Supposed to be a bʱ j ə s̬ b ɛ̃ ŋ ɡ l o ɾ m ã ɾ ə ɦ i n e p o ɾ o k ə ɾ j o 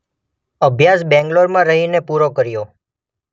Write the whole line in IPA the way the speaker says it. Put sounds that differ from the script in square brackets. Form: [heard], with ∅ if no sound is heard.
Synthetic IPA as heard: [ə] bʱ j [a] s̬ b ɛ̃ ŋ ɡ l o ɾ m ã ɾ ə ɦ i n e p [u] ɾ o k ə ɾ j o